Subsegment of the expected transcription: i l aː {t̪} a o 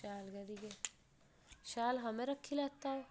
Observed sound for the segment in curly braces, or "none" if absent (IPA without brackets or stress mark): t̪